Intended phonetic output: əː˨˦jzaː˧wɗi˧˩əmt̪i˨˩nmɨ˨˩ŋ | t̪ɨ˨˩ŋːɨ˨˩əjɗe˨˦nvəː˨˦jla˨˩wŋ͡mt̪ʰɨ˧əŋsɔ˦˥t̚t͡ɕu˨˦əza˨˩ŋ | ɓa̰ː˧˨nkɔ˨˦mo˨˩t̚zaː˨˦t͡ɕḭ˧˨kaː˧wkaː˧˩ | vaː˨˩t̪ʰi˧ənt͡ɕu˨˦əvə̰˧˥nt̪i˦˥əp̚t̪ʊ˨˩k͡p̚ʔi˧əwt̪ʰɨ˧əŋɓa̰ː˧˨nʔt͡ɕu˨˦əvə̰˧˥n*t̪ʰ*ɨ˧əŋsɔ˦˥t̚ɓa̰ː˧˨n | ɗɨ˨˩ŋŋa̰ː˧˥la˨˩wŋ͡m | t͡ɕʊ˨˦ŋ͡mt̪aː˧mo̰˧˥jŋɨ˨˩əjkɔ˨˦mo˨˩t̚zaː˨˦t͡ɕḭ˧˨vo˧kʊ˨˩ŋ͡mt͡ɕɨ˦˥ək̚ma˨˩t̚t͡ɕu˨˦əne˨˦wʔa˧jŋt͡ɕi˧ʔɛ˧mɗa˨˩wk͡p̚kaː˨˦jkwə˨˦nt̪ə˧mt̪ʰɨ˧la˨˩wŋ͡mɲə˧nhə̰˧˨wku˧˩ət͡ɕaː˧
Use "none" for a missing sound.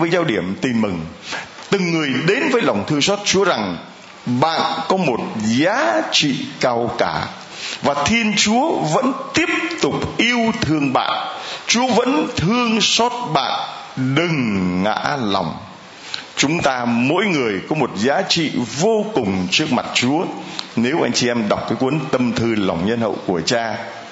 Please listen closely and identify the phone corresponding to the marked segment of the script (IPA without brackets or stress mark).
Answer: t̪ʰ